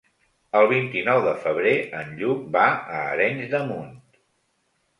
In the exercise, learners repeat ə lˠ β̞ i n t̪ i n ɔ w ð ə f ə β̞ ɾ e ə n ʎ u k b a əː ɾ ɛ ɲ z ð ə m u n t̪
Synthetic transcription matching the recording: ə lˠ β̞ i n t̪ i n ɔ w ð ə f ə β̞ ɾ e ə n ʎ u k b a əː ɾ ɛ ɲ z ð ə m u n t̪

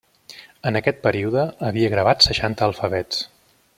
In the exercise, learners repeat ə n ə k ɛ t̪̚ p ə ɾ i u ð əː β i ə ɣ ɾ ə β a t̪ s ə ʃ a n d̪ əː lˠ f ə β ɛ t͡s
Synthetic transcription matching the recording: ə n ə k ɛ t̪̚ p ə ɾ i u ð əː β i ə ɣ ɾ ə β a t̪ s ə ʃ a n t̪ əː lˠ f ə β ɛ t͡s

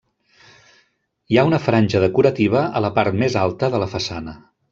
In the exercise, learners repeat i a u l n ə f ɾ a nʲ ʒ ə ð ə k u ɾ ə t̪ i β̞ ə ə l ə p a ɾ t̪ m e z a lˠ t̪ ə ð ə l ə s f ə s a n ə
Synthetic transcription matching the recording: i a u n ə f ɾ a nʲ ʒ ə ð ə k u ɾ ə t̪ i β̞ ə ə l ə p a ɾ t̪ m e z a lˠ t̪ ə ð ə l ə f ə s a n ə

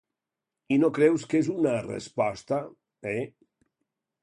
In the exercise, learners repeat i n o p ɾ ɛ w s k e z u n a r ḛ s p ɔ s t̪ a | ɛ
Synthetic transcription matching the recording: i n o k ɾ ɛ w s k e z u n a r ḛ s p ɔ s t̪ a | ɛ

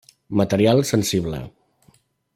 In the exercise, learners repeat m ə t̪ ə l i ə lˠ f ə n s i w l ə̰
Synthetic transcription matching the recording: m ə t̪ ə ɾ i a lˠ s ə n s i β l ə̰

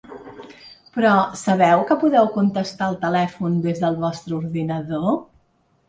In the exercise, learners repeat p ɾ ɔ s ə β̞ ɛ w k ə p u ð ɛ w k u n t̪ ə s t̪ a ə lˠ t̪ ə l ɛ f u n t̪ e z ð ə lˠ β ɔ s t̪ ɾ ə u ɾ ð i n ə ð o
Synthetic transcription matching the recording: p ɾ ɔ s ə β̞ ɛ w k ə p u ð ɛ w k u n t̪ ə s t̪ a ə lˠ t̪ ə l ɛ f u n d̪ e z ð ə lˠ β ɔ s t̪ ɾ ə u ɾ ð i n ə ð o

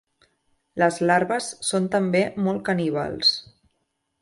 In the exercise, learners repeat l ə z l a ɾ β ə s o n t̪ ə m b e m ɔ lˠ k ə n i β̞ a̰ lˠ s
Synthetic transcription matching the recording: l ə z l a ɾ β ə sː o n t̪ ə m b e m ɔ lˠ k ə n i β̞ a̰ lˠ s

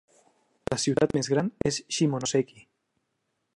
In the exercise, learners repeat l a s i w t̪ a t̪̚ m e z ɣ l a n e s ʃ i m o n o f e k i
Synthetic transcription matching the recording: l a s i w t̪ a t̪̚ m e z ɣ ɾ a n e s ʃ i m o n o s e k i

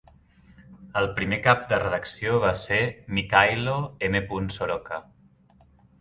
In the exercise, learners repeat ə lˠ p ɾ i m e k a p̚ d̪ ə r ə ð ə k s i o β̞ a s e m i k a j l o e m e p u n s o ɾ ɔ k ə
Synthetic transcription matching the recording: ə lˠ p ɾ i m e k a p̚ d̪ ə r ə ð ə k s i o β̞ a s e m i k a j l o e m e p u n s o ɾ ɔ k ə

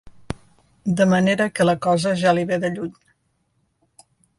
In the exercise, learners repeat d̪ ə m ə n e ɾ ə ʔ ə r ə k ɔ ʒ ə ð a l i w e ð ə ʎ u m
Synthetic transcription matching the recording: d̪ ə m ə n e ɾ ə k ə l ə k ɔ z ə ʒ a l i β e ð ə ʎ u ɲ

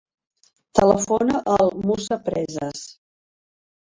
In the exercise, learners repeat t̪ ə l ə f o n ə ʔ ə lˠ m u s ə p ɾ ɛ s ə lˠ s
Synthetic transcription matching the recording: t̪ ə l ə f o n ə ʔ ə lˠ m u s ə p ɾ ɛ z ə s

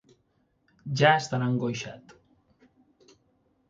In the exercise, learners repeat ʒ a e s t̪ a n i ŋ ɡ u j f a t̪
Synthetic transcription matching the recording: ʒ a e s t̪ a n a ŋ ɡ o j ʃ a t̪

